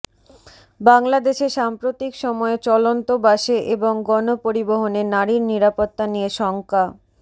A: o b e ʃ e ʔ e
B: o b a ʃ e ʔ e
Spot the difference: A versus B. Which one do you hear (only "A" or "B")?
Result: B